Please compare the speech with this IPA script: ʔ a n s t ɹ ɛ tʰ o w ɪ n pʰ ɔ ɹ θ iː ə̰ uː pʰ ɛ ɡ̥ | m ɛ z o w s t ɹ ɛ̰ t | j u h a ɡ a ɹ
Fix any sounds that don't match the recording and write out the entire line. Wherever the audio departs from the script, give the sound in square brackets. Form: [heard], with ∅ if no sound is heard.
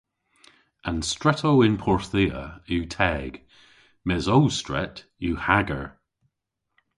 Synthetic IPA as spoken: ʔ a n s t ɹ ɛ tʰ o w ɪ n pʰ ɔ ɹ θ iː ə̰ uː [tʰ] ɛ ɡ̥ | m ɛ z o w s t ɹ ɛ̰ t | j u h a ɡ [ə] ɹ